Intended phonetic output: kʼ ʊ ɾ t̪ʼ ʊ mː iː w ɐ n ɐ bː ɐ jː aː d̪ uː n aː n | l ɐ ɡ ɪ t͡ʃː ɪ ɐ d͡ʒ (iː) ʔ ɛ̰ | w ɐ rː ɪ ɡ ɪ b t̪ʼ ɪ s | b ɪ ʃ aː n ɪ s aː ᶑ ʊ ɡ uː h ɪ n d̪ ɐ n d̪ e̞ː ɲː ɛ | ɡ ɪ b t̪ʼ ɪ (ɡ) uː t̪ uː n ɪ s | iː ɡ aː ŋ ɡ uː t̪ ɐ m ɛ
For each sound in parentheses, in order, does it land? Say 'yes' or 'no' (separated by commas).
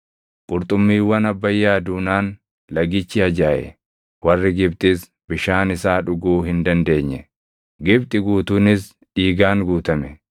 no, yes